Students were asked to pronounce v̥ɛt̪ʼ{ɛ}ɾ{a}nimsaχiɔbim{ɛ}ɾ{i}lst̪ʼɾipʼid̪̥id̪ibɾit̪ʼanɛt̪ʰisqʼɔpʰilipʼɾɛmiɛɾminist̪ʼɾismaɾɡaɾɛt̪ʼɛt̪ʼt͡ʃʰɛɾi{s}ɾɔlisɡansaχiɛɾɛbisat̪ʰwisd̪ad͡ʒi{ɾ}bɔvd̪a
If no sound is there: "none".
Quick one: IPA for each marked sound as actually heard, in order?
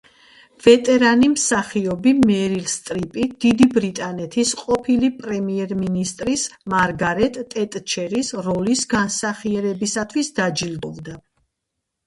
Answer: ɛ, a, ɛ, i, s, l

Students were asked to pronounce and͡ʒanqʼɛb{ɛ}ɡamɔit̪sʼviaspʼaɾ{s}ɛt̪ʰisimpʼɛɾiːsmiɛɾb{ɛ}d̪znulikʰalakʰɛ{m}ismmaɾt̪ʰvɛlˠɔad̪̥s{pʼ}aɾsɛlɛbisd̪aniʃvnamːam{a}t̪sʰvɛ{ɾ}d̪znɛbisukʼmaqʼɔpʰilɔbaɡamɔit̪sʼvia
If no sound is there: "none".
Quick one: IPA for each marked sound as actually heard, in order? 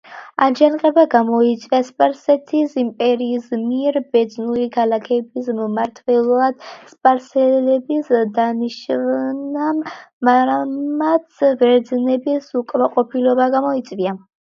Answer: a, s, ɛ, b, pʼ, a, ɾ

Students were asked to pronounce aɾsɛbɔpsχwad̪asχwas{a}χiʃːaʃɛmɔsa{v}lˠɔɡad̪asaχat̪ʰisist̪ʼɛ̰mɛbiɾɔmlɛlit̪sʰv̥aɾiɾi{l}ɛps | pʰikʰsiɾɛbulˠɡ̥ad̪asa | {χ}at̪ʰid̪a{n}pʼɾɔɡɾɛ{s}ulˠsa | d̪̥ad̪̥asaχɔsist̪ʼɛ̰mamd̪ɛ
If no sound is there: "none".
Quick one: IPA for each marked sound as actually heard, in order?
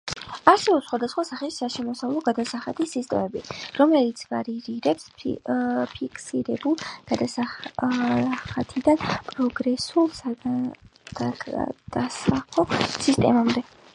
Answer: a, v, ɾ, χ, n, s

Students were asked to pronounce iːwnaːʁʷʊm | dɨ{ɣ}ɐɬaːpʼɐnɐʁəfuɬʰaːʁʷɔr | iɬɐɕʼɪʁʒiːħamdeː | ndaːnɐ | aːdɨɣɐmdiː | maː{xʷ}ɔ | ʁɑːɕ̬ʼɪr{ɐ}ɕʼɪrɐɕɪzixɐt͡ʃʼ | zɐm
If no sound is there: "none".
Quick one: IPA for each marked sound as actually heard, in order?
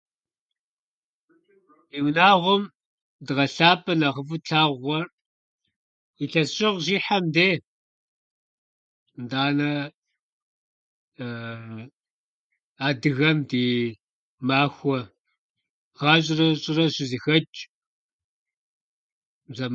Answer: ʁ, xʷ, ɐ

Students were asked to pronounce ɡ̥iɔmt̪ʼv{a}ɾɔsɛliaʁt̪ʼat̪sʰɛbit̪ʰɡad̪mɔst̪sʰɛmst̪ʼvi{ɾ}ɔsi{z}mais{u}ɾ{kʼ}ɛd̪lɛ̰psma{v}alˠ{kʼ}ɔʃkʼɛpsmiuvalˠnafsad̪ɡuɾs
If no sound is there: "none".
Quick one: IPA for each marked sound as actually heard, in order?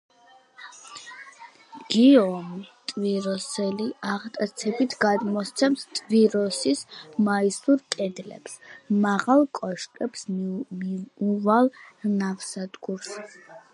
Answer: i, ɾ, s, u, kʼ, ʁ, kʼ

